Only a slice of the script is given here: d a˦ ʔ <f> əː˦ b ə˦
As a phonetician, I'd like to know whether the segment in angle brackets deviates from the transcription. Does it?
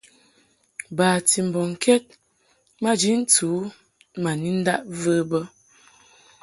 yes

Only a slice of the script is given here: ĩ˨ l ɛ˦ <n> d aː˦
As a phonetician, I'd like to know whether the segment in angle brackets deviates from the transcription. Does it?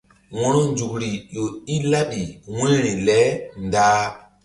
no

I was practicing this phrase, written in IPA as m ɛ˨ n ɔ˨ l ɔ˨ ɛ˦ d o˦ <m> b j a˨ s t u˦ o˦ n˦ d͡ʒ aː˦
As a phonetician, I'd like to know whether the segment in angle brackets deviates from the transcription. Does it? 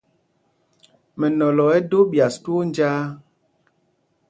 yes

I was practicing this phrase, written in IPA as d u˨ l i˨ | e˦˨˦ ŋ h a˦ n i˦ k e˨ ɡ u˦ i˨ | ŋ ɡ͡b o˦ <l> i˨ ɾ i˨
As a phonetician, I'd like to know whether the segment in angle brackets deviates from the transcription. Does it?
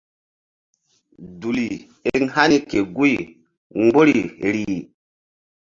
yes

